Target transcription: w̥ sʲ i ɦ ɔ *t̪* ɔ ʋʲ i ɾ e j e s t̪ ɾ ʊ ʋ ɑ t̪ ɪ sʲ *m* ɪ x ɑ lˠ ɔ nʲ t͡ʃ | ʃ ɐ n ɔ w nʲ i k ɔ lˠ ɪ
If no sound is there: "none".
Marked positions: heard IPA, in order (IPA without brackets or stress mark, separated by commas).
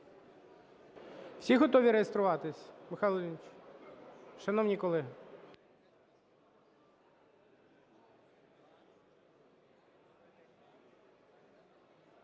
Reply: t̪, m